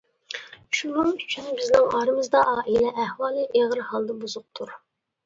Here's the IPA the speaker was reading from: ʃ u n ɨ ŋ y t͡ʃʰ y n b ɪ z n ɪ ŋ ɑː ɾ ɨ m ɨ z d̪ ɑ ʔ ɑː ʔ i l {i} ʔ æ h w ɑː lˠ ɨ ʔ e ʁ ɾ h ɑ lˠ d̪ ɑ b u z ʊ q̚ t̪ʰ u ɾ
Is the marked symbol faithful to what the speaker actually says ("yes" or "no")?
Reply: no